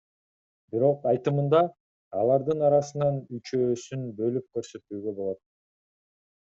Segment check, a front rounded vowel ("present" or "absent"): present